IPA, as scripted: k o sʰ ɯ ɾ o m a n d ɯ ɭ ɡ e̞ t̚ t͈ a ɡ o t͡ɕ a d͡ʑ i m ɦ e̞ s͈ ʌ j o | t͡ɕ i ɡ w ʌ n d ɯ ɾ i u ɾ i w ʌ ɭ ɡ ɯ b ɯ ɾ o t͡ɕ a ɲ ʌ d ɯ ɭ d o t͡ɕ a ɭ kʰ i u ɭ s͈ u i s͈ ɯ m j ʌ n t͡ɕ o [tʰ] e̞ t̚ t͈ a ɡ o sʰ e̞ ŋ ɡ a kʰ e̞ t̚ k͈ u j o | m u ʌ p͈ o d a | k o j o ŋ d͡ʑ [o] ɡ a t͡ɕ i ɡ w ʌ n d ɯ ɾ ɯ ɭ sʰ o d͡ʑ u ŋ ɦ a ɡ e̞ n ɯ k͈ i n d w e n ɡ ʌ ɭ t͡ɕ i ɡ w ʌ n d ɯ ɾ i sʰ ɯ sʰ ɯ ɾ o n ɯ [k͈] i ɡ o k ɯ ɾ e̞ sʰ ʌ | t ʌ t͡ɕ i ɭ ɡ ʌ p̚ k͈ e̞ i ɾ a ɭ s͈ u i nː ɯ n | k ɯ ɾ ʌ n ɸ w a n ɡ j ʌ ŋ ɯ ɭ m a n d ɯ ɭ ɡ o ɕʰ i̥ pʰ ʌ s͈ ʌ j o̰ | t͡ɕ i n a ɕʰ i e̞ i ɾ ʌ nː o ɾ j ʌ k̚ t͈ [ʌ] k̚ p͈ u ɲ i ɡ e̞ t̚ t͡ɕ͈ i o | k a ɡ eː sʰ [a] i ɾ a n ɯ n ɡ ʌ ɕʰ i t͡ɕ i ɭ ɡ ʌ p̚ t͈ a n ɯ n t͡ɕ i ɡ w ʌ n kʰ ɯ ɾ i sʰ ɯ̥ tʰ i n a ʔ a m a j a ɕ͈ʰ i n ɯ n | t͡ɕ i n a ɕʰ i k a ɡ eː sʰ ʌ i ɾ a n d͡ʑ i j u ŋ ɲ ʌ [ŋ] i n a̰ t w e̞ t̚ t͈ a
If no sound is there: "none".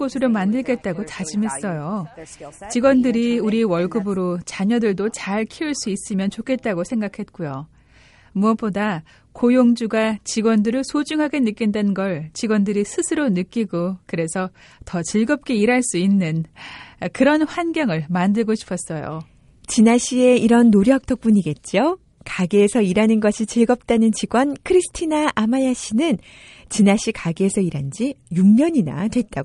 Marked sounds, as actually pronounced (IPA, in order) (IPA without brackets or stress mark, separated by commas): kʰ, u, k͈, ʌ, ʌ, ɲ